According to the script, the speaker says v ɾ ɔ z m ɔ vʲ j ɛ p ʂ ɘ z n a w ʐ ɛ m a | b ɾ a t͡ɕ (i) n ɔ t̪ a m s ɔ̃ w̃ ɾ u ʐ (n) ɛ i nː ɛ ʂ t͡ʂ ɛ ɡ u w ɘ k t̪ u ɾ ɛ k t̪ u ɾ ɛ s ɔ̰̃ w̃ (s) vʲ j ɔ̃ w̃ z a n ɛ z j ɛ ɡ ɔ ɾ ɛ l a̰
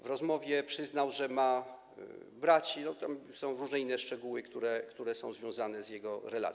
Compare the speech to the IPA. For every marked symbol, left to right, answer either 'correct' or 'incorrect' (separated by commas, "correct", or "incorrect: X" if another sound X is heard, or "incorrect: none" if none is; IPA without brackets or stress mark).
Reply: correct, correct, incorrect: z